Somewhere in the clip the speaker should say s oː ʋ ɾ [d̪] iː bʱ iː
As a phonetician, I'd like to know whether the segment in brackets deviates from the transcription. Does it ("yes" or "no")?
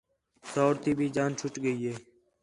yes